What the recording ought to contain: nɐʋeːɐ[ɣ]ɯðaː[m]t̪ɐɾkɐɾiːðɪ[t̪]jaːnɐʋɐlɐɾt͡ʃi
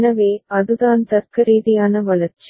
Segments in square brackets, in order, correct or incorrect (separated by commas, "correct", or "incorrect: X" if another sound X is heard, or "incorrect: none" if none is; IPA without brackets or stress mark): incorrect: ð, incorrect: n, incorrect: none